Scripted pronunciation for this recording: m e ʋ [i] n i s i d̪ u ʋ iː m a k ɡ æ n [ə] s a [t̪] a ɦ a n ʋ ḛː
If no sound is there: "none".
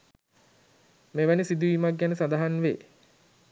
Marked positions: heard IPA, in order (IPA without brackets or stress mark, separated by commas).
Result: æ, ə, d̪